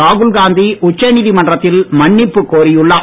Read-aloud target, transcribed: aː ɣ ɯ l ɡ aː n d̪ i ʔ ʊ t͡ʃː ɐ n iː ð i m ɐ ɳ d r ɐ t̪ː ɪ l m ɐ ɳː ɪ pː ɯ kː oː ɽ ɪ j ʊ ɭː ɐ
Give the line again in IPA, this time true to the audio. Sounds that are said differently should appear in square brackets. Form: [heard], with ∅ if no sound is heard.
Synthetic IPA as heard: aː ɣ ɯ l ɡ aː n d̪ i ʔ ʊ t͡ʃː ɐ n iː ð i m ɐ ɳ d r ɐ t̪ː ɪ l m ɐ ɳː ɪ pː ɯ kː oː [ɾ] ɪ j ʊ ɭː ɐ

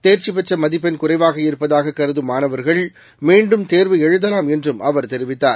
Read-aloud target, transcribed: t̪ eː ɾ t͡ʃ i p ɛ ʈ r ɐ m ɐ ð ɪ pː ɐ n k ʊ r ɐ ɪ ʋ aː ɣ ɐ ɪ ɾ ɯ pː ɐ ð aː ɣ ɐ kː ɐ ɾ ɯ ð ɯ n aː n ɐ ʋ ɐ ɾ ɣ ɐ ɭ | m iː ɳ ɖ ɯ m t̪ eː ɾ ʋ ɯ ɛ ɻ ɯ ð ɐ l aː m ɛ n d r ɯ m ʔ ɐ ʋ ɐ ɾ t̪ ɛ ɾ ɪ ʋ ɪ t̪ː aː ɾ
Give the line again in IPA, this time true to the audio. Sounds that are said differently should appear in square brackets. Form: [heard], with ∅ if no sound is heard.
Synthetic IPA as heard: t̪ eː ɾ t͡ʃ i p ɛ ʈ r ɐ m ɐ ð ɪ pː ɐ n k ʊ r ɐ ɪ ʋ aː ɣ ɐ ɪ ɾ ɯ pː ɐ ð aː ɣ ɐ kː ɐ ɾ ɯ ð ɯ [m] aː n ɐ ʋ ɐ ɾ ɣ ɐ ɭ | m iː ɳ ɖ ɯ m t̪ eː ɾ ʋ ɯ ɛ ɻ ɯ ð ɐ l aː m ɛ n d r ɯ m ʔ ɐ ʋ ɐ ɾ t̪ ɛ ɾ ɪ ʋ ɪ t̪ː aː ɾ

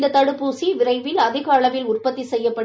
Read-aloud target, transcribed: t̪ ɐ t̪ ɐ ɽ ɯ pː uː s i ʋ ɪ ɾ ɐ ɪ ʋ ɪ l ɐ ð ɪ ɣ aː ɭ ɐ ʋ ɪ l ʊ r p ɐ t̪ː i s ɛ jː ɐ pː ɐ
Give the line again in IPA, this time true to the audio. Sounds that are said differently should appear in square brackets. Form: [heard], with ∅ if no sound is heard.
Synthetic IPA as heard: [d̪] ɐ t̪ ɐ ɽ ɯ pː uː s i ʋ ɪ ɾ ɐ ɪ ʋ ɪ l ɐ ð ɪ ɣ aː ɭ ɐ ʋ ɪ l ʊ r p ɐ t̪ː i s ɛ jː ɐ pː ɐ

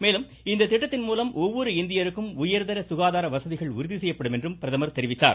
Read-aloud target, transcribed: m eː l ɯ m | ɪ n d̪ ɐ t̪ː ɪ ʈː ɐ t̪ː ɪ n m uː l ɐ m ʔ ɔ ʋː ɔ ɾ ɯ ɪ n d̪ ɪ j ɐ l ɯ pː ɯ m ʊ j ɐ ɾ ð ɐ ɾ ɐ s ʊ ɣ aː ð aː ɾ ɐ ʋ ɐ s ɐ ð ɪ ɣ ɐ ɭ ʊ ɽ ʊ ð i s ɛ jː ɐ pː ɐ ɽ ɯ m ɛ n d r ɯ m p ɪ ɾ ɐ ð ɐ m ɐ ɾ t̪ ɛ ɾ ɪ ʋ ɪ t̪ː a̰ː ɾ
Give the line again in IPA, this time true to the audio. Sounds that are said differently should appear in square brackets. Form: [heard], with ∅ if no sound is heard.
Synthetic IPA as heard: m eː l ɯ m | ɪ n d̪ ɐ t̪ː ɪ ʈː ɐ t̪ː ɪ n m uː l ɐ m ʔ ɔ ʋː ɔ ɾ ɯ ɪ n d̪ ɪ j ɐ [ɾ] ɯ [kː] ɯ m ʊ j ɐ ɾ ð ɐ ɾ ɐ s ʊ ɣ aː ð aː ɾ ɐ ʋ ɐ s ɐ ð ɪ ɣ ɐ ɭ ʊ [ɾ] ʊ ð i s ɛ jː ɐ pː ɐ ɽ ɯ m ɛ n d r ɯ m p ɪ ɾ ɐ ð ɐ m ɐ ɾ t̪ ɛ ɾ ɪ ʋ ɪ t̪ː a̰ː ɾ

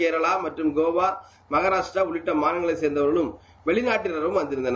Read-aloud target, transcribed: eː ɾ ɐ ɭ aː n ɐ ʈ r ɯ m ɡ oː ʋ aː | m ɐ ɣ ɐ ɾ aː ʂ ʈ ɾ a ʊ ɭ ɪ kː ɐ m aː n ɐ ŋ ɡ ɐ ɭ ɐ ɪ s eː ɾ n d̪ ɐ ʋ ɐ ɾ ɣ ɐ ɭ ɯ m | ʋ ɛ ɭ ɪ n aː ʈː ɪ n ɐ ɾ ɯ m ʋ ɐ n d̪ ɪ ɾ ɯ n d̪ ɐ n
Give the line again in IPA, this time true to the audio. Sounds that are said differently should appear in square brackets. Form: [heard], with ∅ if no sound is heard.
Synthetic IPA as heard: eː ɾ ɐ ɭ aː [m] ɐ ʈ r ɯ m ɡ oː ʋ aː | m ɐ ɣ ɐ ɾ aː ʂ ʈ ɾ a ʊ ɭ ɪ [ʈː] ɐ m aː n ɐ ŋ ɡ ɐ ɭ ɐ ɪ s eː ɾ n d̪ ɐ ʋ ɐ ɾ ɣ ɐ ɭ ɯ m | ʋ ɛ ɭ ɪ n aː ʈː ɪ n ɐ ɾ ɯ m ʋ ɐ n d̪ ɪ ɾ ɯ n d̪ ɐ n

